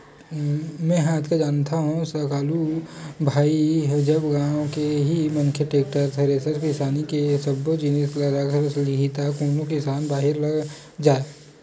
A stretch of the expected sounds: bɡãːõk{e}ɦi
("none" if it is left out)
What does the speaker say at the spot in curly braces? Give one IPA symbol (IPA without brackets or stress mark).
e